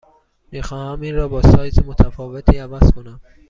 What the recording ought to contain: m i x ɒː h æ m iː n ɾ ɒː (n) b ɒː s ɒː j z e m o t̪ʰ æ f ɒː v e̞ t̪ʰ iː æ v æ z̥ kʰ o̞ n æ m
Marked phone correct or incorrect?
incorrect